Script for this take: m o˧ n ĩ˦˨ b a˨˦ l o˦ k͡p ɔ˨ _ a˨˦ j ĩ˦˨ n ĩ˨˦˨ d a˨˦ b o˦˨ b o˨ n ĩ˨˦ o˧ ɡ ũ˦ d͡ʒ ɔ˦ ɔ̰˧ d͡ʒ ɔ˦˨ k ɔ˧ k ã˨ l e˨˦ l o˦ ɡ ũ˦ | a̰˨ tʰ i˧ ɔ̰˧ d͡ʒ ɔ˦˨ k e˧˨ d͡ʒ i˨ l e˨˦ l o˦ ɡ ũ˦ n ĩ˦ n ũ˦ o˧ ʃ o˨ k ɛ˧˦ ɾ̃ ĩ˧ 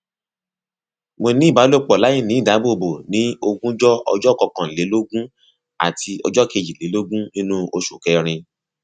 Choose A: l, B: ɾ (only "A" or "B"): A